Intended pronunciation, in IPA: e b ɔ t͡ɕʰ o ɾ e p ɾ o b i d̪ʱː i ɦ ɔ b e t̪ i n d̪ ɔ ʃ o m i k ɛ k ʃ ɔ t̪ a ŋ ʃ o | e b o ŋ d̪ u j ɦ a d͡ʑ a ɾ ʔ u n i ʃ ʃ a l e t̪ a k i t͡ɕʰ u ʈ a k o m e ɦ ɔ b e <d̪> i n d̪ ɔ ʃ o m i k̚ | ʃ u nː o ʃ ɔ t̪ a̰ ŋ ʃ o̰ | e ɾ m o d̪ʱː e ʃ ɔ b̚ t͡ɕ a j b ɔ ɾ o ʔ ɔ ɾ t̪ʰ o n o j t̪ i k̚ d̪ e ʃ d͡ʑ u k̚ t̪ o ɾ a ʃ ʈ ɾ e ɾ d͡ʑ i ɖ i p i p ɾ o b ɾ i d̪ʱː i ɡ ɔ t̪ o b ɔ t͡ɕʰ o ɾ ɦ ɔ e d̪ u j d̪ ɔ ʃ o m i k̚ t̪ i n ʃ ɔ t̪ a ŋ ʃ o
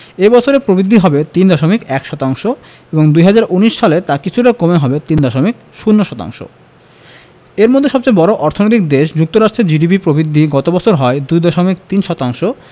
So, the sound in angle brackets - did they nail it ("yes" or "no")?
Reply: no